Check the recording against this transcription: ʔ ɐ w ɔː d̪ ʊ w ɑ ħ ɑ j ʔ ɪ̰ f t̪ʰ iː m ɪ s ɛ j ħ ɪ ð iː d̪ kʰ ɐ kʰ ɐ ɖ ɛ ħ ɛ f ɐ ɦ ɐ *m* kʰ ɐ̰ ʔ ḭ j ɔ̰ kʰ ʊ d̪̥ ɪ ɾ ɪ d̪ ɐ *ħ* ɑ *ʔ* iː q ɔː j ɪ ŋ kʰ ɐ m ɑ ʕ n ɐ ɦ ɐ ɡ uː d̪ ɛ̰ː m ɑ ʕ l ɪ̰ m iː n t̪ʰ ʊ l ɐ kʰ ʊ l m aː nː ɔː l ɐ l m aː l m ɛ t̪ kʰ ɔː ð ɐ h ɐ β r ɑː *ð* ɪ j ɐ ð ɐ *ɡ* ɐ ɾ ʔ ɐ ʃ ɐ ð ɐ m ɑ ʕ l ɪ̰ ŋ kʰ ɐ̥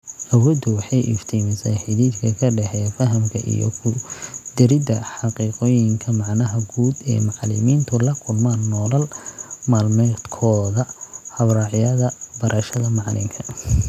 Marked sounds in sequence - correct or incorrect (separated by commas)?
correct, correct, incorrect, incorrect, incorrect